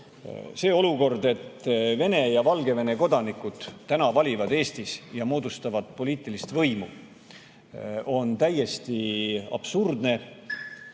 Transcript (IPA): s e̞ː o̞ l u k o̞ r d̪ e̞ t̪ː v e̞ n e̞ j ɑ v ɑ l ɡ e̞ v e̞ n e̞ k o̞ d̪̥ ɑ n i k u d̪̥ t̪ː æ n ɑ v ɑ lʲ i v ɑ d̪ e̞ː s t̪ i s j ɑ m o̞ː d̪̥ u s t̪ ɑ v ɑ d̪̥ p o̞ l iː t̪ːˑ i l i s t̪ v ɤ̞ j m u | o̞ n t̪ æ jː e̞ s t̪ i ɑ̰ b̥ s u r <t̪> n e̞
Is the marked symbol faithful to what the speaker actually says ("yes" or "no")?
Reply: no